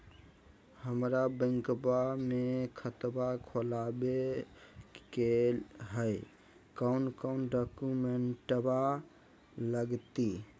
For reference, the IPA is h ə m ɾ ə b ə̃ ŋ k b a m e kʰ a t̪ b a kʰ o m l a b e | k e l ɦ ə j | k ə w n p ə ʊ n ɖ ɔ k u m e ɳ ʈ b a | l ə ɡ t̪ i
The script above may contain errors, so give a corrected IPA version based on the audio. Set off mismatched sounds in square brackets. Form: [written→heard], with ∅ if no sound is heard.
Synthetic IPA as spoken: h ə m ɾ [ə→a] b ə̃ ŋ k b a m e kʰ [a→ə] t̪ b a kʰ o [m→∅] l a b e | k e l ɦ ə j | k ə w n [p→k] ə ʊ n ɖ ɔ k u m e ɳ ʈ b a | l ə ɡ t̪ i

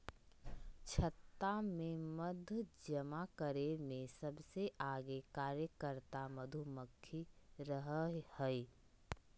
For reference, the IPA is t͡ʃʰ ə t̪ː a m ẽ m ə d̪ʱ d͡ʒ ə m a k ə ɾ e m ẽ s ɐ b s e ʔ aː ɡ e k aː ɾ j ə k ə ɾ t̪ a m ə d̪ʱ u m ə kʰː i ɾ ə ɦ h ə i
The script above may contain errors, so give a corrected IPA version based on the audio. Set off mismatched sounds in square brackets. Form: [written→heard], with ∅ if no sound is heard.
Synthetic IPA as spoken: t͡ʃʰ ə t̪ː a m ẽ m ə d̪ʱ d͡ʒ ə m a k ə ɾ e m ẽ s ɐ b s e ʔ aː ɡ e k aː ɾ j ə k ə ɾ t̪ a m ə d̪ʱ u m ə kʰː i ɾ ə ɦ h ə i

